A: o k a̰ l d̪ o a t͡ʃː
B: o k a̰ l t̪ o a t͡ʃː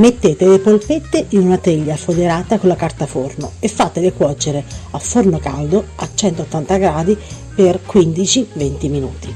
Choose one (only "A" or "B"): A